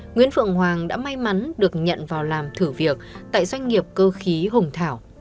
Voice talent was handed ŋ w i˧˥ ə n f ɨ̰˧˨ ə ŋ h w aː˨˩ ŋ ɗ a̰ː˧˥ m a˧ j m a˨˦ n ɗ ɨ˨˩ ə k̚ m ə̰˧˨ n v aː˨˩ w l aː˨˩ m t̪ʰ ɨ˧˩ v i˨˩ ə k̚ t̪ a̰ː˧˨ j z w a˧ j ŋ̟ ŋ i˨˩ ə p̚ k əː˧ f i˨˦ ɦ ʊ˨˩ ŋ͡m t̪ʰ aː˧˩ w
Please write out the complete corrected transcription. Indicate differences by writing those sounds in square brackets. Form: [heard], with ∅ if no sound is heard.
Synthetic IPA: ŋ w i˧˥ ə n f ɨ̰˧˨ ə ŋ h w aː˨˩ ŋ ɗ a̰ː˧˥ m a˧ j m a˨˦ n ɗ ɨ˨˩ ə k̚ [ɲ] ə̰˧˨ n v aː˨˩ w l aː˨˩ m t̪ʰ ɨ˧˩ v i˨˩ ə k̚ t̪ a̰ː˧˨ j z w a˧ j ŋ̟ ŋ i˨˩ ə p̚ k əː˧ [x] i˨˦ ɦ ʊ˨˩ ŋ͡m t̪ʰ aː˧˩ w